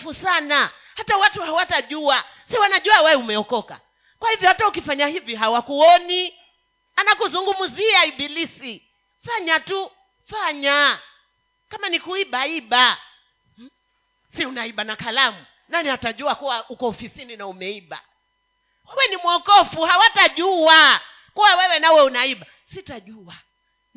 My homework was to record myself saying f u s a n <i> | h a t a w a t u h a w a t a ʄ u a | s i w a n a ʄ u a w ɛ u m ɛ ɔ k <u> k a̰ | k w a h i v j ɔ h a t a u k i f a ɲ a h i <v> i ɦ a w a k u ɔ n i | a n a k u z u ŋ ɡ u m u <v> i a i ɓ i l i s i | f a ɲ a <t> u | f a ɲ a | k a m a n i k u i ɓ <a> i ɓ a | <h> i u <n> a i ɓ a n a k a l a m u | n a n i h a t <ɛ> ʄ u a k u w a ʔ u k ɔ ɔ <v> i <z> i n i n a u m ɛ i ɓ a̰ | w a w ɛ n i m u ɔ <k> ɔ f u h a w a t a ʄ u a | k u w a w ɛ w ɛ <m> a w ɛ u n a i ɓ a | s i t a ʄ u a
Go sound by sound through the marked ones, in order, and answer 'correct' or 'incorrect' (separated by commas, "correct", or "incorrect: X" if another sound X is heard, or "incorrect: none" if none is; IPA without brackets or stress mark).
incorrect: a, incorrect: ɔ, correct, incorrect: z, correct, correct, incorrect: s, correct, incorrect: a, incorrect: f, incorrect: s, correct, incorrect: n